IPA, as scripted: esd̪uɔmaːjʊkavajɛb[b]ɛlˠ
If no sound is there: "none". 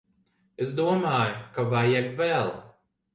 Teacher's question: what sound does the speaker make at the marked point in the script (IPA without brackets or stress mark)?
v